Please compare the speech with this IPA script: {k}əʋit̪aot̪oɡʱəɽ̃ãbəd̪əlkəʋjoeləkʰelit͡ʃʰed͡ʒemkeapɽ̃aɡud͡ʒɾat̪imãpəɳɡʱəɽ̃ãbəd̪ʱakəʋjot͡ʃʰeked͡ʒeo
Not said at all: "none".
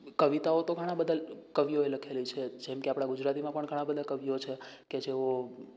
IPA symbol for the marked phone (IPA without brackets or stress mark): k